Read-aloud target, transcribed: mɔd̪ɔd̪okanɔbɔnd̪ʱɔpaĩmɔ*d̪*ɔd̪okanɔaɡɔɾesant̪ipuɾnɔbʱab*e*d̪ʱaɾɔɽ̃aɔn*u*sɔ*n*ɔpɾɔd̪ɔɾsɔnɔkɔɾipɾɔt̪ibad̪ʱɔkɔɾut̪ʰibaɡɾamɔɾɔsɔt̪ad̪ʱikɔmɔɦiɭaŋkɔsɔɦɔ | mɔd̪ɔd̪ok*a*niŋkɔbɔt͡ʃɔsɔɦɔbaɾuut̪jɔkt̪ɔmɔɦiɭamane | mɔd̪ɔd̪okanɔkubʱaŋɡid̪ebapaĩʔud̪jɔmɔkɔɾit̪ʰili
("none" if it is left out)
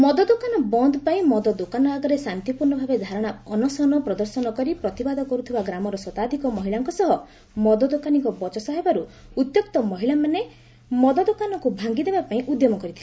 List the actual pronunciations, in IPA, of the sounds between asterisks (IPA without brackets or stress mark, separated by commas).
d̪, e, ɔ, n, a